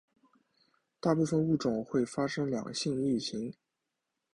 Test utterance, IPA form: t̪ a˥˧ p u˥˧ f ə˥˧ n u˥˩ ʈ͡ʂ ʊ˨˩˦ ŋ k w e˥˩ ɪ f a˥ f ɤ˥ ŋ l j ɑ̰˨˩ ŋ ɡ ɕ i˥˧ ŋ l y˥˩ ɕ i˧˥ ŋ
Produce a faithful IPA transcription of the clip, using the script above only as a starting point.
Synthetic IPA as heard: t̪ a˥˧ p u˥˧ f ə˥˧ n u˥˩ ʈ͡ʂ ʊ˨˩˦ ŋ x w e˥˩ ɪ f a˥ ʂ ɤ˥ ŋ l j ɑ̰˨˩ ŋ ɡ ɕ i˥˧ ŋ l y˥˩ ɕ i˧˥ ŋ